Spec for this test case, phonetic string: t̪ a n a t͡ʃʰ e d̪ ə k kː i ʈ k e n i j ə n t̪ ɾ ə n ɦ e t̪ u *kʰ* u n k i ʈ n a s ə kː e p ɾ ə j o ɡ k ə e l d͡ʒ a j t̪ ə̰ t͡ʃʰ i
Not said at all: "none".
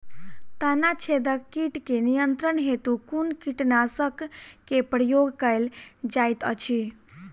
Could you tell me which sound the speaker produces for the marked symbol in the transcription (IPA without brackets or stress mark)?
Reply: k